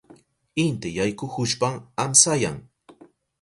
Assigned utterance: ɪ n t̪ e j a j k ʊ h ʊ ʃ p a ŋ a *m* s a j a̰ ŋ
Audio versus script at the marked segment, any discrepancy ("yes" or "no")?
no